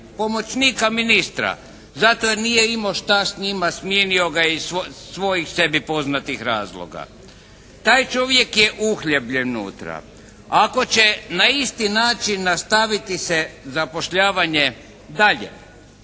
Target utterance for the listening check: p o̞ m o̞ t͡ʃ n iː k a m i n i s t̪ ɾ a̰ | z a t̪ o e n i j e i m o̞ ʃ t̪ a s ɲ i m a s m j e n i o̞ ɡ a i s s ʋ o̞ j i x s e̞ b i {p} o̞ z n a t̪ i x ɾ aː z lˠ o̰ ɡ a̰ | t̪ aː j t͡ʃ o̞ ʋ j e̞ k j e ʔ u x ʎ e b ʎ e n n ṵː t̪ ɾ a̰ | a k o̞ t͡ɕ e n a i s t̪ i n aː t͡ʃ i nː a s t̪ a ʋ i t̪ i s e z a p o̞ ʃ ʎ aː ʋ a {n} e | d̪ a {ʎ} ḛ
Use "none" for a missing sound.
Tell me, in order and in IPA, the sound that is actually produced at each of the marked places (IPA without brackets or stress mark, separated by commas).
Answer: p, ɲ, ʎ